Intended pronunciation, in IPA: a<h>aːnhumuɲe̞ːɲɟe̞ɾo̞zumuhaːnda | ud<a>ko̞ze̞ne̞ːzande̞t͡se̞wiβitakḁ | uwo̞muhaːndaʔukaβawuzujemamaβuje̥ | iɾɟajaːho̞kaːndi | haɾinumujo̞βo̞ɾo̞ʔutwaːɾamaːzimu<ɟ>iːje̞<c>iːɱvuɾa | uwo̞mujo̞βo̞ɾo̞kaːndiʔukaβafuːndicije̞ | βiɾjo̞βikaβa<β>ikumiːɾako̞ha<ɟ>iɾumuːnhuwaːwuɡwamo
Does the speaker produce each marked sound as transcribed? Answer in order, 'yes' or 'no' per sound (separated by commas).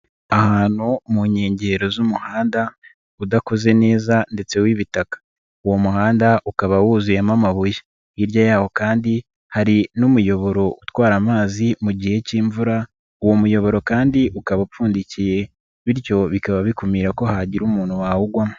yes, yes, yes, yes, yes, yes